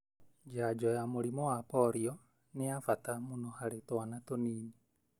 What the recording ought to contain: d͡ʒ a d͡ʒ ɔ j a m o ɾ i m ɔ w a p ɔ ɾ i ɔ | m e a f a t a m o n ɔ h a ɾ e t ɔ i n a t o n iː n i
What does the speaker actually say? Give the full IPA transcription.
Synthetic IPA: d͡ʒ a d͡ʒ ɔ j a m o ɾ i m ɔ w a p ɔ ɾ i ɔ | n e a f a t a m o n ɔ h a ɾ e t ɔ a n a t o n iː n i